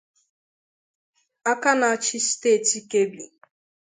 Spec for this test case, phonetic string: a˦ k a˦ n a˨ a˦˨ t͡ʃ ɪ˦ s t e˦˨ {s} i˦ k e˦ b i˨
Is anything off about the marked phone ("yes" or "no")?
yes